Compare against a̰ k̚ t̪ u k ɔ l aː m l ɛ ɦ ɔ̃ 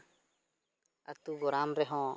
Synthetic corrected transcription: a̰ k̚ t̪ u ɡ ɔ ɾ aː m ɾ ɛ ɦ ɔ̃